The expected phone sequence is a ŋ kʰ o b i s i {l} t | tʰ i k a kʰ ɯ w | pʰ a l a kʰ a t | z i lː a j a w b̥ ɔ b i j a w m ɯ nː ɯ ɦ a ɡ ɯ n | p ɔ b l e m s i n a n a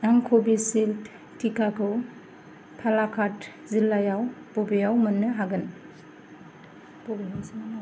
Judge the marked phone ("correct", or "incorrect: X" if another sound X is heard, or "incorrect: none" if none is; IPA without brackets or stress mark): correct